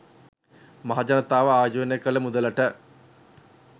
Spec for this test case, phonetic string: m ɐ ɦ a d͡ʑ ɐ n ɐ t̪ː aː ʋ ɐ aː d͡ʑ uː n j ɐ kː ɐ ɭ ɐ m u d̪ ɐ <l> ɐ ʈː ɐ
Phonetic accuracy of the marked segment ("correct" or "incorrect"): correct